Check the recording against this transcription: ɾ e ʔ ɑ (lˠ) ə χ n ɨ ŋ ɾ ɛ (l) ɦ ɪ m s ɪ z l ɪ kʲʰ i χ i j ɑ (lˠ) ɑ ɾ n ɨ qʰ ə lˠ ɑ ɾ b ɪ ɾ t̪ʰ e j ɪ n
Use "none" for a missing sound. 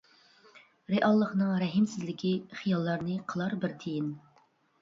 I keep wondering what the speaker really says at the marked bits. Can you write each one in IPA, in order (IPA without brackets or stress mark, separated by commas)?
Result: lˠː, none, lˠː